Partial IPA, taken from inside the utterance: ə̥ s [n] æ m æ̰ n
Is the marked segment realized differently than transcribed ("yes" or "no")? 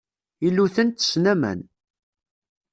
no